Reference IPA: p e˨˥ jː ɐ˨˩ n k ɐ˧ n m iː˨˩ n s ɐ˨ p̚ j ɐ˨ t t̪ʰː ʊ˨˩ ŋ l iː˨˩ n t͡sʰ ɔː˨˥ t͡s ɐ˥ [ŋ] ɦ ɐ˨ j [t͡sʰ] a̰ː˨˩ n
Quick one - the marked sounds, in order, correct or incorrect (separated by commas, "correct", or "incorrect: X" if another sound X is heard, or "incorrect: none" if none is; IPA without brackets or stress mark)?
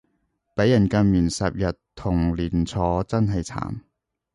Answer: incorrect: n, correct